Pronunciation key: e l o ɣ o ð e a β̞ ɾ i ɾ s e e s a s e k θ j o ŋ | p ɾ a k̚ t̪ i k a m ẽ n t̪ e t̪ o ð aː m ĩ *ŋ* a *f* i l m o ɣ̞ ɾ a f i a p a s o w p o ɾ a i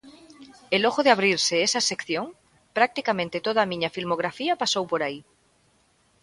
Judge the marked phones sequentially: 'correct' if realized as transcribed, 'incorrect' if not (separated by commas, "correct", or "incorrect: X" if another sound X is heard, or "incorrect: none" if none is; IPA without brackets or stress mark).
incorrect: ɲ, correct